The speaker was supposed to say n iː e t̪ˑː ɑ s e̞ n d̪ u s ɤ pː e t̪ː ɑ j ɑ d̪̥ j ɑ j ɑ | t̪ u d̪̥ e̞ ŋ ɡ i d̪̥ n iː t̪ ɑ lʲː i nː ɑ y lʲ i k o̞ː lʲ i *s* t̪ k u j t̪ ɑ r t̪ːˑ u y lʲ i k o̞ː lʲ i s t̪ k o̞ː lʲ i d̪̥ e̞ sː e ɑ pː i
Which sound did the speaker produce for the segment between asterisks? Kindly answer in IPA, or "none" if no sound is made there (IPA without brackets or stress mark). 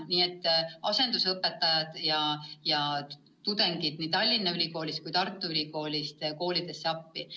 s